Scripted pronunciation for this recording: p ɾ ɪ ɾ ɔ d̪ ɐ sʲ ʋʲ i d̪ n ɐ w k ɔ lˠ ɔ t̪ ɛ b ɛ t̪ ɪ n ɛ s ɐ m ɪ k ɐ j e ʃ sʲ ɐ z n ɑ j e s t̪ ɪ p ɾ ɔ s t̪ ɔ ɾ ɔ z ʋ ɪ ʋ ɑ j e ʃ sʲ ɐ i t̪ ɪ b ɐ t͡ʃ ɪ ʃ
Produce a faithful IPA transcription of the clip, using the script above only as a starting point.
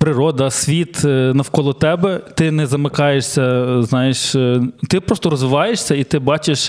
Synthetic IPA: p ɾ ɪ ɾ ɔ d̪ ɐ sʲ ʋʲ i t̪ n ɐ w k ɔ lˠ ɔ t̪ ɛ b ɛ t̪ ɪ n ɛ z ɐ m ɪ k ɑ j e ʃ sʲ ɐ z n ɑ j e ʃ t̪ ɪ p ɾ ɔ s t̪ ɔ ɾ ɔ z ʋ ɪ ʋ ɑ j e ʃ sʲ ɐ i t̪ ɪ b ɑ t͡ʃ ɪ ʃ